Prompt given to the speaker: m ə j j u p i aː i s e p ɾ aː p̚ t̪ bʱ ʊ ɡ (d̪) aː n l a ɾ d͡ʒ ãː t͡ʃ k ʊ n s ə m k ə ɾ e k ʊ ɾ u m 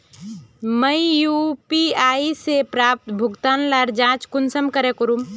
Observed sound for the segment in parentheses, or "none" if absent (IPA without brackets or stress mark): t̪